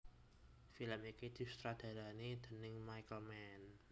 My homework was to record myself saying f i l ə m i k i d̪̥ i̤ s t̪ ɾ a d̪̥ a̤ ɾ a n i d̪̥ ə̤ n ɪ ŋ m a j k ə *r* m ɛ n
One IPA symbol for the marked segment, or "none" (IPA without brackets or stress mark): l